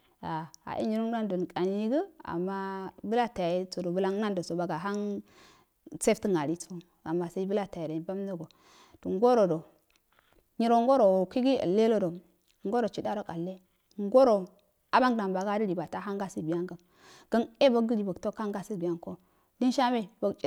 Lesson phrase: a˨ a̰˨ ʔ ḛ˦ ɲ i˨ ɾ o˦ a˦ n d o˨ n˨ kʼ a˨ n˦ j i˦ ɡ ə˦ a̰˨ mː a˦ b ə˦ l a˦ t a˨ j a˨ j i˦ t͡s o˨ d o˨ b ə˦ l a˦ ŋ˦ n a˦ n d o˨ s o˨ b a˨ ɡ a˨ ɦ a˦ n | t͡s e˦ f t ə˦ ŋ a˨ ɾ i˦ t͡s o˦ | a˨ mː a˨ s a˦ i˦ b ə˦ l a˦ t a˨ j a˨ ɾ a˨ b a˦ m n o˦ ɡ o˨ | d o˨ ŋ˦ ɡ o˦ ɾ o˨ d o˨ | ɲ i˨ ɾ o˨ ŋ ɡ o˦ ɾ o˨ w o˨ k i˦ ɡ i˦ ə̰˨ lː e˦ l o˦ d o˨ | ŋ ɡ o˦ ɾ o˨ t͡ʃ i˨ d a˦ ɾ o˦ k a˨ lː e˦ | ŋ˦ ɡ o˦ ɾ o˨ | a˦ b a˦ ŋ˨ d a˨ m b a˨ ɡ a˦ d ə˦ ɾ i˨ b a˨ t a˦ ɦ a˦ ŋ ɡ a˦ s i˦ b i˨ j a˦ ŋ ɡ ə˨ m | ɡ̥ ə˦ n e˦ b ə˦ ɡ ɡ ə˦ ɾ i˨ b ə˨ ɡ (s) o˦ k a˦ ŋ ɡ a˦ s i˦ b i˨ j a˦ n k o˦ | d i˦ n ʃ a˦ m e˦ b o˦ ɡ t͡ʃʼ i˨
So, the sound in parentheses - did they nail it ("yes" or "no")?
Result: no